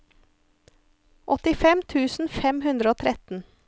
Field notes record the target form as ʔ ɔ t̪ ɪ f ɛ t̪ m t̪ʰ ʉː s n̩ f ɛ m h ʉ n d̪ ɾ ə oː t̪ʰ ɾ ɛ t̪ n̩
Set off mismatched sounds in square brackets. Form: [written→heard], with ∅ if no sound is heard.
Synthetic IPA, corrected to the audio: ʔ ɔ t̪ ɪ f ɛ [t̪→∅] m t̪ʰ ʉː s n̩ f ɛ m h ʉ n d̪ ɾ ə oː t̪ʰ ɾ ɛ t̪ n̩